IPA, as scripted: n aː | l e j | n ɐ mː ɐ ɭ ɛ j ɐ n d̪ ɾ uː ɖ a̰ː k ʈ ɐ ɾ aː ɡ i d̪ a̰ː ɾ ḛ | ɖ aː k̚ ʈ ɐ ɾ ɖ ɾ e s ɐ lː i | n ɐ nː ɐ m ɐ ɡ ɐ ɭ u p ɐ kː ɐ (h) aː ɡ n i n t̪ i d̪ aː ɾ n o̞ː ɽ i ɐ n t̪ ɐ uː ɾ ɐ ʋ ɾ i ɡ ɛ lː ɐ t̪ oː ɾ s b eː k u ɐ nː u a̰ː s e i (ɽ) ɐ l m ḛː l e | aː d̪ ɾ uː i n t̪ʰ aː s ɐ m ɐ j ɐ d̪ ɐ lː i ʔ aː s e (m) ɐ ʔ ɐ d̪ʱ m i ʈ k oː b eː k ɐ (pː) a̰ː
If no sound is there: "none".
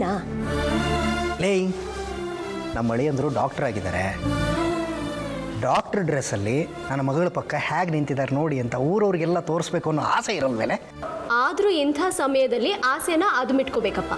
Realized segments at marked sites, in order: h, ɾ, n, pː

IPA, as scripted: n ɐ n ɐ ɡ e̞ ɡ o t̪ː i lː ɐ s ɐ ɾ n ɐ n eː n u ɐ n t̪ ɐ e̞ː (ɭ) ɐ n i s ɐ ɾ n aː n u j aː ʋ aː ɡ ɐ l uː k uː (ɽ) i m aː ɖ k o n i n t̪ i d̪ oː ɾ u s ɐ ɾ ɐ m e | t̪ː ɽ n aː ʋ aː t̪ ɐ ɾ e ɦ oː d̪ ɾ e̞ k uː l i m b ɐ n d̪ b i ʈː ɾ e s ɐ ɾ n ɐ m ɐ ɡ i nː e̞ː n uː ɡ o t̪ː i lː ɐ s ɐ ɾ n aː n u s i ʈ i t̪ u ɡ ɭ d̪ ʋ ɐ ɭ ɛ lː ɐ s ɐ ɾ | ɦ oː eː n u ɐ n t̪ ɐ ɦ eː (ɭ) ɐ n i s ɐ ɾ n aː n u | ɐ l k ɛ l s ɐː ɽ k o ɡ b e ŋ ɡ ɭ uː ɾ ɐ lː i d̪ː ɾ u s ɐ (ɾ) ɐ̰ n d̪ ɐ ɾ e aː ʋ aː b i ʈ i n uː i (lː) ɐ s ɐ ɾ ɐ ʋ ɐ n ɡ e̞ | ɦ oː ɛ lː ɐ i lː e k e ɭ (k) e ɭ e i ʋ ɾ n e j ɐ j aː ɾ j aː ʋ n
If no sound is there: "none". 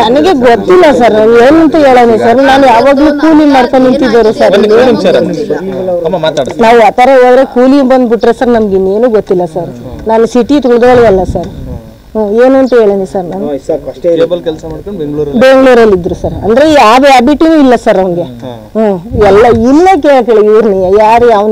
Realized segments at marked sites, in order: ɭ, l, ɭ, ɾ, lː, k

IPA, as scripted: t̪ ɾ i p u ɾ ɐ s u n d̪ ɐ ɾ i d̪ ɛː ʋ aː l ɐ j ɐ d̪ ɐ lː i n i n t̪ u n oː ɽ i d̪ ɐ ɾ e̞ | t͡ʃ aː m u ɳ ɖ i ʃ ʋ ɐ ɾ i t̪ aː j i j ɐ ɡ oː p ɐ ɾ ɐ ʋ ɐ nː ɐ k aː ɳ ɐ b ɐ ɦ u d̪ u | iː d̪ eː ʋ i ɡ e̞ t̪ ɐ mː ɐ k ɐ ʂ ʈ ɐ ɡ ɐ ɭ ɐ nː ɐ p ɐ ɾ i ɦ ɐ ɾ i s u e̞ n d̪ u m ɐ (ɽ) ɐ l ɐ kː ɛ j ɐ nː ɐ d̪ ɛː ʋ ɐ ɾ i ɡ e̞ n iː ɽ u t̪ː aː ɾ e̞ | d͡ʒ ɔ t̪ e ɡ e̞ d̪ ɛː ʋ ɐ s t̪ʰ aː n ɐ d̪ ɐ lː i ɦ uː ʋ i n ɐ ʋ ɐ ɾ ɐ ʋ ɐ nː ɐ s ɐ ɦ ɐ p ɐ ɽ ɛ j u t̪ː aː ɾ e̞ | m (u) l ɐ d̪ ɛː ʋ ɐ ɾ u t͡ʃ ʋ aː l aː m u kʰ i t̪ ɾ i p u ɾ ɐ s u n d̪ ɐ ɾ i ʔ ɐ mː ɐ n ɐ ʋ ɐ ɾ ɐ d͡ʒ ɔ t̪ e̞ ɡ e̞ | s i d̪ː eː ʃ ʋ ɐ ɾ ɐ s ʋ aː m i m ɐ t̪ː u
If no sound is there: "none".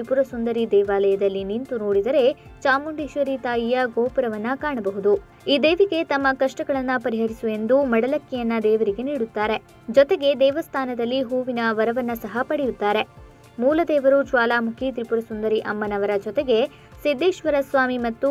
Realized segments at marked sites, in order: ɽ, uː

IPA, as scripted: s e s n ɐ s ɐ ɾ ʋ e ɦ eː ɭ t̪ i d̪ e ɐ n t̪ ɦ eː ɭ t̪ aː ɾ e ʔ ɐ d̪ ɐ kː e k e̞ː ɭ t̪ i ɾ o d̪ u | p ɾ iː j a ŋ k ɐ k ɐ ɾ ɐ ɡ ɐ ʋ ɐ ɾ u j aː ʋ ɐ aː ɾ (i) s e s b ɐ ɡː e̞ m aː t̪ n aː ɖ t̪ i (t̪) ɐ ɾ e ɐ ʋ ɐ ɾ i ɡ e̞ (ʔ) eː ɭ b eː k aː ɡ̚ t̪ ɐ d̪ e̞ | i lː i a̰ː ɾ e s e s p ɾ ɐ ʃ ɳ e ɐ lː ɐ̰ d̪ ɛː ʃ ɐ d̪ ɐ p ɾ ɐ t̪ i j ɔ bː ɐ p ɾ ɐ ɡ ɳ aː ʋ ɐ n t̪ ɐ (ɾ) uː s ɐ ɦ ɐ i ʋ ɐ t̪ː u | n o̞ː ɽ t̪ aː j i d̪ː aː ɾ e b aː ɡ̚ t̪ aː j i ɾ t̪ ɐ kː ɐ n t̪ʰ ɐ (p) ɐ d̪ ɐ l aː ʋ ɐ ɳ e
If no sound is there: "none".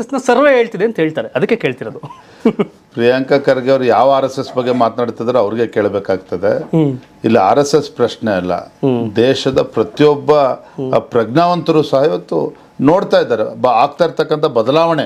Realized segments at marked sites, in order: e, d̪, k, ɾ, b

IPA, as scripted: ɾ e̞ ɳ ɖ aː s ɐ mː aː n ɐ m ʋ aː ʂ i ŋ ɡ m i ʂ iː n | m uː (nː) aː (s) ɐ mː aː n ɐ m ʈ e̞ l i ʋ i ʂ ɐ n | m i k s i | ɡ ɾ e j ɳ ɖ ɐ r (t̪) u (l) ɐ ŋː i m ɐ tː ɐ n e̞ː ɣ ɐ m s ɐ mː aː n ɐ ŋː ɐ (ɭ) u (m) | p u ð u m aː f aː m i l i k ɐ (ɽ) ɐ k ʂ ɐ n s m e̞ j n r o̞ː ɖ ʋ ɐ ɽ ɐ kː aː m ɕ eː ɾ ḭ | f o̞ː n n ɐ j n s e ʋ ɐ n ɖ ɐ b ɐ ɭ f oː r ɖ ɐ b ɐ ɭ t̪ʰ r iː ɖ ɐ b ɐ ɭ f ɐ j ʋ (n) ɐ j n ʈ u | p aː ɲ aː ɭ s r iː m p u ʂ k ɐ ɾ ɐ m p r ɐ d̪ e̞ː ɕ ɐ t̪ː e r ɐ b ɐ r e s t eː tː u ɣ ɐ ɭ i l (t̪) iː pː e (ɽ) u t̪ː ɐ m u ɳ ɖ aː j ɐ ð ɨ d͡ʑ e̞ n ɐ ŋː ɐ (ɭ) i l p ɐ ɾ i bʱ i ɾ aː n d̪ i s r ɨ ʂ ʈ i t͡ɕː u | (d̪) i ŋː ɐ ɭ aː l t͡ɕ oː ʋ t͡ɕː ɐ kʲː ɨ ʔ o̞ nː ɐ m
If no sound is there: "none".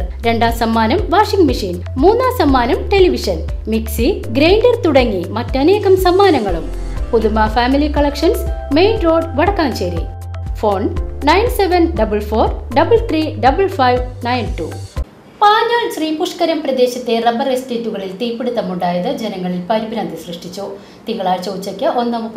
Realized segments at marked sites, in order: nː, s, t̪, ɽ, ɭ, m, ɭ, n, t̪, ɽ, ɭ, t̪

